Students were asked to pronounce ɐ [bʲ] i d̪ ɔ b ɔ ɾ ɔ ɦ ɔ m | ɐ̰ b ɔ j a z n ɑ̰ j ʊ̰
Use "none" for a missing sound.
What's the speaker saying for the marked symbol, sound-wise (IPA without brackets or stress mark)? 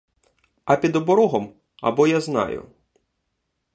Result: pʲ